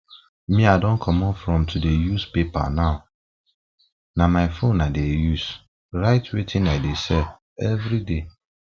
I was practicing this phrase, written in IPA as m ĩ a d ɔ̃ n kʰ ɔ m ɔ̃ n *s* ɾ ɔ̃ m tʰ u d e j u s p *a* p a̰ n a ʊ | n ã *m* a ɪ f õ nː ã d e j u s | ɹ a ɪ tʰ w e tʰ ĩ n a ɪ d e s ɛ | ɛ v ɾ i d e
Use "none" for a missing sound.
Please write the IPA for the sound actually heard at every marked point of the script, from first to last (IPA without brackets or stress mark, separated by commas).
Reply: f, e, m